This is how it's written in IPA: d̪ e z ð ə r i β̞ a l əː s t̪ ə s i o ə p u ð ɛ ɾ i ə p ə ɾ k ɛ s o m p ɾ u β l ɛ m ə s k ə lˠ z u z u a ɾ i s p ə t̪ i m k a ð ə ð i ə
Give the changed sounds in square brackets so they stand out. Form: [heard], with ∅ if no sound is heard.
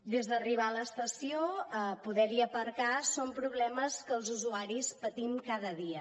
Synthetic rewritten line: d̪ e z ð ə r i β̞ a l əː s t̪ ə s i o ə p u ð ɛ ɾ i ə p ə ɾ k [a] s o m p ɾ u β l ɛ m ə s k ə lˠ z u z u a ɾ i s p ə t̪ i m k a ð ə ð i ə